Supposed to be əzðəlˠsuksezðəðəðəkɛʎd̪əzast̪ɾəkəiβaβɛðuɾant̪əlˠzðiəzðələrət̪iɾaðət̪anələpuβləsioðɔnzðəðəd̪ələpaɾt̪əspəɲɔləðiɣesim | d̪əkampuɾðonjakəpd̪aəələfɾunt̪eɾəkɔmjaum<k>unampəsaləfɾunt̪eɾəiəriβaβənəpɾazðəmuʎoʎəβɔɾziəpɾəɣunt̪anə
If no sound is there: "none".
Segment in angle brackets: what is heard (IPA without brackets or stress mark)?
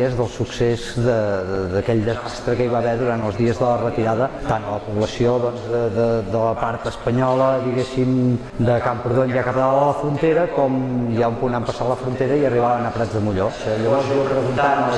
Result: p